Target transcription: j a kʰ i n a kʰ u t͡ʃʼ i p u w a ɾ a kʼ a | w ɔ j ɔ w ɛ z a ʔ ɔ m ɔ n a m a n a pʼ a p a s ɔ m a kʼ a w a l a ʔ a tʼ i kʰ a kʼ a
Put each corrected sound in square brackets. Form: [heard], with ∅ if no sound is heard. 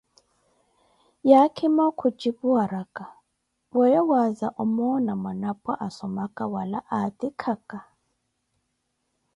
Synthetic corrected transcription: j a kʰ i [m] a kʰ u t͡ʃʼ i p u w a ɾ a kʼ a | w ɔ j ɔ w [a] z a ʔ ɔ m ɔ n a m a n a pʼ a [ʔ] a s ɔ m a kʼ a w a l a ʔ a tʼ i kʰ a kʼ a